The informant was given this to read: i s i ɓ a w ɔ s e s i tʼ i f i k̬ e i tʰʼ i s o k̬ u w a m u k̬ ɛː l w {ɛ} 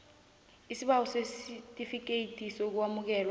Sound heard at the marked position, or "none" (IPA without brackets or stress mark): a